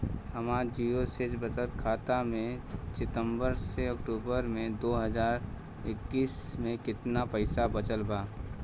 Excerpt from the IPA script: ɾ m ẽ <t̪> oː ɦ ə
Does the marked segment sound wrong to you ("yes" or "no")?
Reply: yes